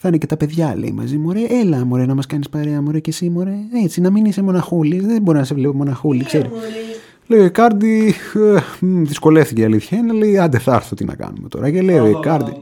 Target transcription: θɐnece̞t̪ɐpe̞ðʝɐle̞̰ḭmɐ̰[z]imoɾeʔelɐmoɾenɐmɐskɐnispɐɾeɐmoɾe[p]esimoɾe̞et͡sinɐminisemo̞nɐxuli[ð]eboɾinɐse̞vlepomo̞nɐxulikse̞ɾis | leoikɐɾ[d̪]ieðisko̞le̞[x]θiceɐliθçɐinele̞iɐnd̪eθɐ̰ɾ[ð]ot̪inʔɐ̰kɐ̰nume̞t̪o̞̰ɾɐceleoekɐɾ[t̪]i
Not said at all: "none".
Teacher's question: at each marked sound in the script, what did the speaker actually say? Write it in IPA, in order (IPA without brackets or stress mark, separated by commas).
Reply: z, c, ð, d̪, f, θ, d̪